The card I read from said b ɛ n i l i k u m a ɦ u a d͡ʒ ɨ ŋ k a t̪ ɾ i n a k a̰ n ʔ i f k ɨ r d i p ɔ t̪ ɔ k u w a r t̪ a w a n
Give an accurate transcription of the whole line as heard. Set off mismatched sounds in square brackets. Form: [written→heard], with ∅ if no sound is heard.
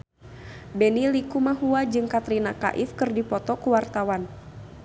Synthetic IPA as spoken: b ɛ n i l i k u m a ɦ u a d͡ʒ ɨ ŋ k a t̪ ɾ i n a k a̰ [n→∅] ʔ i f k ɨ r d i p ɔ t̪ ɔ k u w a r t̪ a w a n

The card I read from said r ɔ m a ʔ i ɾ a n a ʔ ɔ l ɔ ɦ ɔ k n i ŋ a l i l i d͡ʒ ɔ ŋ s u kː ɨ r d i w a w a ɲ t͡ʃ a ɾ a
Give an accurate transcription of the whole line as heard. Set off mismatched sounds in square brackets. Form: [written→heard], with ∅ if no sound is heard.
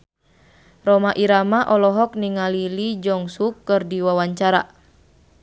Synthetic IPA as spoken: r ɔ m a ʔ i ɾ a [n→m] a ʔ ɔ l ɔ ɦ ɔ k n i ŋ a l i l i d͡ʒ ɔ ŋ s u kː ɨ r d i w a w a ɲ t͡ʃ a ɾ a

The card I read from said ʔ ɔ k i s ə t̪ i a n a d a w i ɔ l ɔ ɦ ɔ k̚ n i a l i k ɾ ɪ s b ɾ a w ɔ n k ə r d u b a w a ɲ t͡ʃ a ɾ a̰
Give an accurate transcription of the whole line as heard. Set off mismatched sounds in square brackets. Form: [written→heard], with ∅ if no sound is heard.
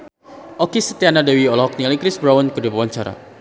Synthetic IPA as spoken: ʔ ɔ k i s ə t̪ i a n a d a w i ɔ l ɔ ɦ ɔ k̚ n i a l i k ɾ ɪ s b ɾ a w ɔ n k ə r d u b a w a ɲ t͡ʃ a ɾ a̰

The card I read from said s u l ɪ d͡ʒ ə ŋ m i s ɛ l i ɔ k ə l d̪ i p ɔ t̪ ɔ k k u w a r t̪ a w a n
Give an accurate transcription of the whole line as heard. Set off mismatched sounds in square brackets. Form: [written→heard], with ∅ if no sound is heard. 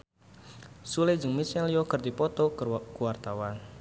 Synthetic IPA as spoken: s u l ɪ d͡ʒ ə ŋ m i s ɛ l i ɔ k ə [l→r] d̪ i p ɔ t̪ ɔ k k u w a r t̪ a w a n

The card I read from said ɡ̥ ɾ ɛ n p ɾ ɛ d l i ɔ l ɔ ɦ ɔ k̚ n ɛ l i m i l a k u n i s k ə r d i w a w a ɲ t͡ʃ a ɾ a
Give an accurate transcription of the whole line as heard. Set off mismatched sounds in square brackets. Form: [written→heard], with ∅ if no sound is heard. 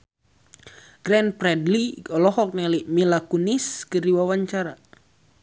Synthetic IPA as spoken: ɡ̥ ɾ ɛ n p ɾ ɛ d l i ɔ l ɔ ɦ ɔ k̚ n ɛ l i m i l a k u n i s k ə r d i w a w a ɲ t͡ʃ a ɾ a

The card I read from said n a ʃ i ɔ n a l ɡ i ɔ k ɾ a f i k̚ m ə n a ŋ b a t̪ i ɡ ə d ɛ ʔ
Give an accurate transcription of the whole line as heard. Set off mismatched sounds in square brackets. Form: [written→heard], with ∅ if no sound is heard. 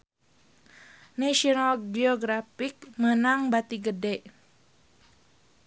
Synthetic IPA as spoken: n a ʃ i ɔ n a l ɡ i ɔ [k→ɡ] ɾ a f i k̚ m ə n a ŋ b a t̪ i ɡ ə d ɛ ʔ

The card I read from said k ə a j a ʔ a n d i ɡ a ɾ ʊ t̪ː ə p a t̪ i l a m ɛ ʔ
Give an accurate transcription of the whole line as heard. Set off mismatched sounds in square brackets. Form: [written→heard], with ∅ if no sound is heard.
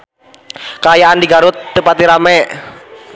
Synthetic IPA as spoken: k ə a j a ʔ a n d i ɡ a ɾ ʊ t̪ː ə p a t̪ i [l→ɾ] a m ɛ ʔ

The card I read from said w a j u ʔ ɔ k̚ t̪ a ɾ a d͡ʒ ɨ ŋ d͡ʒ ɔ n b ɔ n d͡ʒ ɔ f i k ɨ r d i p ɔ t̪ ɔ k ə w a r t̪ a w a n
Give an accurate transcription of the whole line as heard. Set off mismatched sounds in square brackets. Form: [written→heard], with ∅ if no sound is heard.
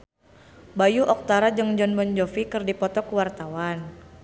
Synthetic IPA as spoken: [w→b] a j u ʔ ɔ k̚ t̪ a ɾ a d͡ʒ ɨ ŋ d͡ʒ ɔ n b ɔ n d͡ʒ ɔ f i k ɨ r d i p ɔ t̪ ɔ k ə w a r t̪ a w a n

